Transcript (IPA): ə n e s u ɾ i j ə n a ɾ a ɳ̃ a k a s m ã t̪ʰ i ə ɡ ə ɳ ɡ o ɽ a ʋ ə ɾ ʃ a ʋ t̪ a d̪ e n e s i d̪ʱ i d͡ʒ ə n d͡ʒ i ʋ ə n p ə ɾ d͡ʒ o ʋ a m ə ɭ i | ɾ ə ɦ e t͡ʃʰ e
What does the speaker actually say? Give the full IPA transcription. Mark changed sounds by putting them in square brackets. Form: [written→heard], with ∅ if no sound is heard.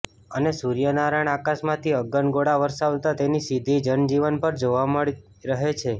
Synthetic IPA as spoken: ə n e s u ɾ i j ə n a ɾ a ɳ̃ a k a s m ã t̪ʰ i ə ɡ ə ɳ ɡ o ɽ a ʋ ə ɾ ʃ a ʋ t̪ a [d̪→t̪] e n [e→i] s i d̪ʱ i d͡ʒ ə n d͡ʒ i ʋ ə n p ə ɾ d͡ʒ o ʋ a m ə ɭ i | ɾ ə ɦ e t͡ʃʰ e